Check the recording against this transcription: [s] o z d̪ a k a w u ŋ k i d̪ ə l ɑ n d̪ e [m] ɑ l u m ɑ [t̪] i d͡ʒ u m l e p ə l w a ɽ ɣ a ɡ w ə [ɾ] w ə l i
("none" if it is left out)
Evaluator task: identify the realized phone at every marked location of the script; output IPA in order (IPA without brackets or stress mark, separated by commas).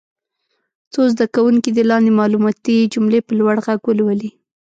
t͡s, m, t̪, l